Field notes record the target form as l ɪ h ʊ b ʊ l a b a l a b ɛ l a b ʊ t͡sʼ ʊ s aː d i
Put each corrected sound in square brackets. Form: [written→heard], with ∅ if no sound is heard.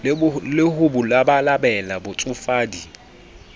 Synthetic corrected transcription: l ɪ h ʊ b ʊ l a b a l a b ɛ l a b ʊ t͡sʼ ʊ [s→f] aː d i

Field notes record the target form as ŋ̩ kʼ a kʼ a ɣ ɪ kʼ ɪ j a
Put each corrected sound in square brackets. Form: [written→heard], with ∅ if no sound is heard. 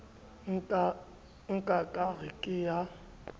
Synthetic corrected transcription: ŋ̩ kʼ a kʼ a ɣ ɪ kʼ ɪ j a

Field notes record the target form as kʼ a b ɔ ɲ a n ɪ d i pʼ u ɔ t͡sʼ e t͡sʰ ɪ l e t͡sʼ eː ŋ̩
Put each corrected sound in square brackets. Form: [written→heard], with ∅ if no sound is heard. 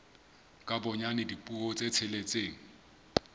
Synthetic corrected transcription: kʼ a b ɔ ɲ a n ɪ d i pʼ u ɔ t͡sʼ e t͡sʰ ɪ l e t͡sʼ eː ŋ̩

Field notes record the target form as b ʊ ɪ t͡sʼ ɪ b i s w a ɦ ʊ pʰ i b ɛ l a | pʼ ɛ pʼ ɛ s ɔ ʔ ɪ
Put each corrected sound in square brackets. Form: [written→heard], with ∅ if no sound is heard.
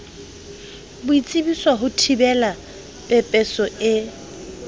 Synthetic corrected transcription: b ʊ [ɪ→i] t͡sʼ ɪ b i s w a ɦ ʊ [pʰ→tʰ] i b ɛ l a | pʼ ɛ pʼ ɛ s ɔ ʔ ɪ

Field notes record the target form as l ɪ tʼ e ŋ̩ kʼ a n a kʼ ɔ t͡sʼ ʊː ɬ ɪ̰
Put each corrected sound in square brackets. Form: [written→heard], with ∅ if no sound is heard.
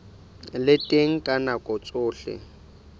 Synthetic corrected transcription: l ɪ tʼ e ŋ̩ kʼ a n a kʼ ɔ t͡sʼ ʊː ɬ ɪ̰

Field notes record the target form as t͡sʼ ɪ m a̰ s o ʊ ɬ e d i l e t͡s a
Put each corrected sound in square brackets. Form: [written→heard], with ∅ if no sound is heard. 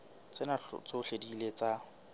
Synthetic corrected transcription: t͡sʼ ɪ [m→n] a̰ [s→t͡s] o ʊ ɬ e d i l e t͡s a

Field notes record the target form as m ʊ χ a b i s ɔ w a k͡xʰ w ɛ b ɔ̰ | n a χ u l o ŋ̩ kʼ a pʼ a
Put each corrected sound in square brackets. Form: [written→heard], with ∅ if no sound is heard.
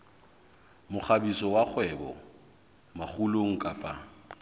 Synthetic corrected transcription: m ʊ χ a b i s ɔ w a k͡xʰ w ɛ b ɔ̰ | [n→m] a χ u l o ŋ̩ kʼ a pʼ a

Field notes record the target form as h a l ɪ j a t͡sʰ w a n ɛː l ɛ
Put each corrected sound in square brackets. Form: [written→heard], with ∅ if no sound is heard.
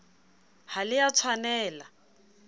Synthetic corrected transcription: h a l ɪ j a t͡sʰ w a n ɛː l [ɛ→a]

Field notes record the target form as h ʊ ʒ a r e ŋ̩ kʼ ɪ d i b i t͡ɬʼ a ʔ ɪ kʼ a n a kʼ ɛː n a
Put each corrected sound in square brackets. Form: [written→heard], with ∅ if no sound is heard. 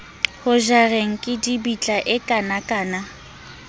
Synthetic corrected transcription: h ʊ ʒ a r e ŋ̩ kʼ ɪ d i b i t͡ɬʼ a ʔ ɪ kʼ a n a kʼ [ɛː→aː] n a

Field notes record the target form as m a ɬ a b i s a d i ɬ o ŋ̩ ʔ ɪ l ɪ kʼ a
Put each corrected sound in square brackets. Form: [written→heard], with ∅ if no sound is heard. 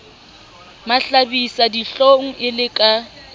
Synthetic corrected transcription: m a ɬ a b i s a d i ɬ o ŋ̩ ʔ ɪ l ɪ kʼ a

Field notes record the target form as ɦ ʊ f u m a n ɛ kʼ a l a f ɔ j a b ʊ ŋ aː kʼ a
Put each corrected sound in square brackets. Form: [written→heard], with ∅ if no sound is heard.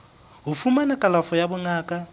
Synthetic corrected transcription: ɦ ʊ f u m a n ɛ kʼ a l a f ɔ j a b ʊ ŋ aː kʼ a

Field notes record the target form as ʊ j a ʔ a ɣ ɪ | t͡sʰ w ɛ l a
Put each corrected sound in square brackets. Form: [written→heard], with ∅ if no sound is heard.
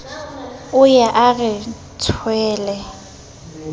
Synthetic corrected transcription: ʊ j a ʔ a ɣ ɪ | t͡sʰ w [ɛ→ɛː] l [a→ɛ]

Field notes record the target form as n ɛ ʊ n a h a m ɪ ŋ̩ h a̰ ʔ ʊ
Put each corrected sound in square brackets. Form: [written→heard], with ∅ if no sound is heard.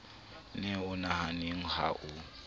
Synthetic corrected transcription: n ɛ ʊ n a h a [m→n] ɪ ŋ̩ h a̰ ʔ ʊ

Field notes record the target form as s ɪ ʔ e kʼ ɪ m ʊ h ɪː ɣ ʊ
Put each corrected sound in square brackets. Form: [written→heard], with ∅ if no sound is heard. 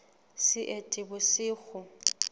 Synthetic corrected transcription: s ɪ ʔ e [kʼ→tʼ] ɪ [m→b] ʊ [h→s] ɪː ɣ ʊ

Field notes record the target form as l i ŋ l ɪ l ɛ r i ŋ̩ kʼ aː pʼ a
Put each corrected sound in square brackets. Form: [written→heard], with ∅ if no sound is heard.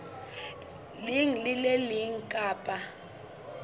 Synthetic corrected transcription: l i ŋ l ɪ l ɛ [r→l] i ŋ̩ kʼ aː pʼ a

